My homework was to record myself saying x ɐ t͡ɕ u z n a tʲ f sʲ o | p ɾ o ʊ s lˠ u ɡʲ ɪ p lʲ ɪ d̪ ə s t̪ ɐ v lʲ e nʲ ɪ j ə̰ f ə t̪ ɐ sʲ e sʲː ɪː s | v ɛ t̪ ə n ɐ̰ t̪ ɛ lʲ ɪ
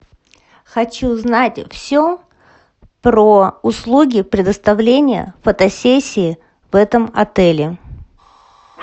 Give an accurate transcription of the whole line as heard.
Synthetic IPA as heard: x ɐ t͡ɕ u z n a tʲ f sʲ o | p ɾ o ʊ s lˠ u ɡʲ ɪ p ɾʲ ɪ d̪ ə s t̪ ɐ v lʲ e nʲ ɪ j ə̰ f ə t̪ ɐ sʲ e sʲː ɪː | v ɛ t̪ ə m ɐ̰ t̪ ɛ lʲ ɪ